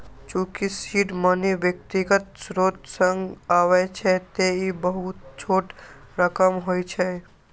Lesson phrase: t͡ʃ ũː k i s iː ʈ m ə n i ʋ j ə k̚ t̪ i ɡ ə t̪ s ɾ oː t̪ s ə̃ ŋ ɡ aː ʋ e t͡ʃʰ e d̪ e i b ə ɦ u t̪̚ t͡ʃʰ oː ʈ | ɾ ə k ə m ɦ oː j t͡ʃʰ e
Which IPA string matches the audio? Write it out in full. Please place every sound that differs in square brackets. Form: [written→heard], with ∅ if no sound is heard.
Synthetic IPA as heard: t͡ʃ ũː k i s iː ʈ m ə n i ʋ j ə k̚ t̪ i ɡ ə t̪ s ɾ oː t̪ s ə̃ ŋ ɡ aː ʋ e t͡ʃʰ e [d̪→t̪] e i b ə ɦ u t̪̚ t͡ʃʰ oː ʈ | ɾ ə k ə m ɦ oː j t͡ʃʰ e